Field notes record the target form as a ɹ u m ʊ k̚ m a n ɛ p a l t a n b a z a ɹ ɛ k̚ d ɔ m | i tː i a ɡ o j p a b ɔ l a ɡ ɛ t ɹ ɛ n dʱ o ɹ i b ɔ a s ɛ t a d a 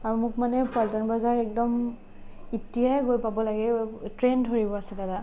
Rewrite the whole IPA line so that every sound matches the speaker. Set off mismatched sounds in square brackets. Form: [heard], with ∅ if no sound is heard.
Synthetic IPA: a ɹ u m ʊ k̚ m a n ɛ p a l t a n b a z a ɹ ɛ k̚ d ɔ m | i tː i a ɡ o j p a b ɔ l a ɡ ɛ t ɹ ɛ n dʱ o ɹ i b ɔ a s ɛ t a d a